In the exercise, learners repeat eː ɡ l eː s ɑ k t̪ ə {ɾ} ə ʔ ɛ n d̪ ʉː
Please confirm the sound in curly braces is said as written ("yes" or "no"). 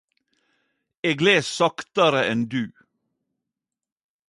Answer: yes